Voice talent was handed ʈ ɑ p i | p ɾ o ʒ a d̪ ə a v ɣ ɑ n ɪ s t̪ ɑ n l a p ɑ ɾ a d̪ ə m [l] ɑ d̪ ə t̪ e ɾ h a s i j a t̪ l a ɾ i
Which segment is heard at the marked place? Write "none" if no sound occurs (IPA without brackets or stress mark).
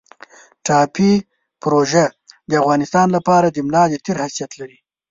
l